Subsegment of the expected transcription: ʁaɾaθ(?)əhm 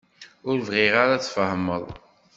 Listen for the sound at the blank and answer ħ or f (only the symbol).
f